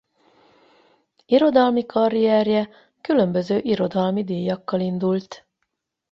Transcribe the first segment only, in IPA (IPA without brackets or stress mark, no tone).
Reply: i